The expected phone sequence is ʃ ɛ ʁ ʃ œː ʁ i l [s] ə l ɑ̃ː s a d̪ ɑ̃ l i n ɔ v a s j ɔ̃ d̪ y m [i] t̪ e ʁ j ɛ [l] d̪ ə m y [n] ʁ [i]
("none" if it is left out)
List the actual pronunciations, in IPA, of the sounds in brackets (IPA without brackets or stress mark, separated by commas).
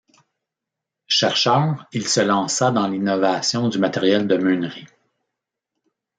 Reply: s, a, l, n, i